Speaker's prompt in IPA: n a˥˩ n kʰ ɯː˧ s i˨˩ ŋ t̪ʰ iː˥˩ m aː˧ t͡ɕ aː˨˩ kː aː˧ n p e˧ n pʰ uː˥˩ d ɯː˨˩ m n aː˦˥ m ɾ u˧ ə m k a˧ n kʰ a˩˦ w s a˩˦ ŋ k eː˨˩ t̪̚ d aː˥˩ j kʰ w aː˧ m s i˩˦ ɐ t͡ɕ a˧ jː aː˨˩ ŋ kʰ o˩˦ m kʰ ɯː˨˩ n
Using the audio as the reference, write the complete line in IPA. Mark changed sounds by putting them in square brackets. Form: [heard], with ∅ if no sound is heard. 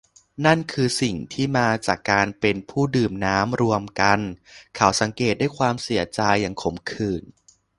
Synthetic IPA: n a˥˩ n kʰ ɯː˧ s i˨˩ ŋ t̪ʰ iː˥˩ m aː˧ t͡ɕ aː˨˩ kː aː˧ n p e˧ n pʰ uː˥˩ d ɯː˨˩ m n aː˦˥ m ɾ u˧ ə m k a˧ n kʰ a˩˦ w s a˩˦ ŋ k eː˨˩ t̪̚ d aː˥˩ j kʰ w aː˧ m s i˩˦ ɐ t͡ɕ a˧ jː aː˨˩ ŋ kʰ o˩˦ m kʰ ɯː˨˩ n